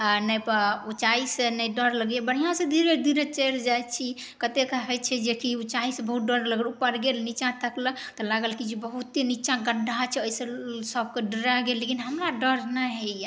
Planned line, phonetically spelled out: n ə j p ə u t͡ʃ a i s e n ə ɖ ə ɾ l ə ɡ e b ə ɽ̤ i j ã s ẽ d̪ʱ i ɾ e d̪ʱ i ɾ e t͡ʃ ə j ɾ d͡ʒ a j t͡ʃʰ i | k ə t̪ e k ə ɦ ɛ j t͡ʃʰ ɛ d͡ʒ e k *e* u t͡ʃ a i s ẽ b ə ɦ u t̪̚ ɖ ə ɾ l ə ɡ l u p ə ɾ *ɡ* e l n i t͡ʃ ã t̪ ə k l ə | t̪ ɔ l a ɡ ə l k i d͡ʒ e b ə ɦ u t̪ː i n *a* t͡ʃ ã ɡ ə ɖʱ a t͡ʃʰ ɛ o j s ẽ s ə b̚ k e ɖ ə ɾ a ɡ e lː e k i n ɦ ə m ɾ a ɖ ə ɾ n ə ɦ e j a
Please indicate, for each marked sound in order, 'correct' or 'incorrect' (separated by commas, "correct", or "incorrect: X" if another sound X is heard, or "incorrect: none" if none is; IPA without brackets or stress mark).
incorrect: i, correct, incorrect: i